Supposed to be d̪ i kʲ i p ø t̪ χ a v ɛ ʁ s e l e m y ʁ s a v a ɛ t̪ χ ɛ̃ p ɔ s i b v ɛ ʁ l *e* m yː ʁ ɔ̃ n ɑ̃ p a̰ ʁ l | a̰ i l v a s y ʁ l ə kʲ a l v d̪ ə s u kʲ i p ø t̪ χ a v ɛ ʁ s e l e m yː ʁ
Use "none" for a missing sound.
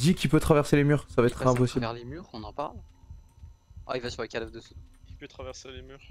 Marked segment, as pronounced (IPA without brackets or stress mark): e